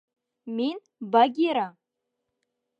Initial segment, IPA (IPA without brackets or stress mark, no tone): m